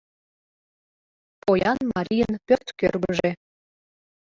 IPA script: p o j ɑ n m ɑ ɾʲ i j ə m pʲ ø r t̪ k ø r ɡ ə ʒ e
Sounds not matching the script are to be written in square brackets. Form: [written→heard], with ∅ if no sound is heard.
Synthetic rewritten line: p o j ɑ n m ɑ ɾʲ i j ə [m→n] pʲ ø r t̪ k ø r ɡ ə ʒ e